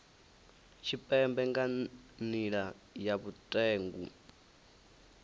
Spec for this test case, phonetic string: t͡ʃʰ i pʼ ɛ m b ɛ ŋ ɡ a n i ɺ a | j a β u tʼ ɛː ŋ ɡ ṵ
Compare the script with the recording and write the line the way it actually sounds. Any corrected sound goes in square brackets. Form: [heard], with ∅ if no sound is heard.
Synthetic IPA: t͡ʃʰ i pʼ ɛ m b ɛ ŋ ɡ a n i ɺ a | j a β u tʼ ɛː ŋ ɡ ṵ